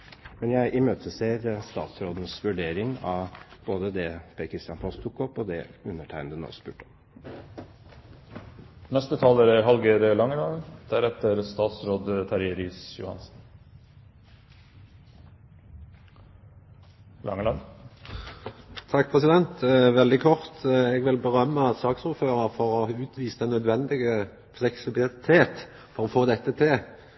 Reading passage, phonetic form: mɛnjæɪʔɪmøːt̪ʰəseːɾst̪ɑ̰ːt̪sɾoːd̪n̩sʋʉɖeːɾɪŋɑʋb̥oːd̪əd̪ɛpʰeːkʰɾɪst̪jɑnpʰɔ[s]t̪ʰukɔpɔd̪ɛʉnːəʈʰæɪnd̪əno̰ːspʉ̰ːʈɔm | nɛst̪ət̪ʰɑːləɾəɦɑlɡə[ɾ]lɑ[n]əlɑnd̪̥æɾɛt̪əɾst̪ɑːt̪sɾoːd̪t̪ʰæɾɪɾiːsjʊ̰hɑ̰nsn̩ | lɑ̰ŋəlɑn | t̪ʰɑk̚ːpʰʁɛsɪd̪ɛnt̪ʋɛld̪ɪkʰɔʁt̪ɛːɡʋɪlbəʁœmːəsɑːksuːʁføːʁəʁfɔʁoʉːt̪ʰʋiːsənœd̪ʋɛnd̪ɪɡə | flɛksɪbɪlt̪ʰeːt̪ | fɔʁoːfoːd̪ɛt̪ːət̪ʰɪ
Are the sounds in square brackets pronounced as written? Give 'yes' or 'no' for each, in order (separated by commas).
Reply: yes, yes, no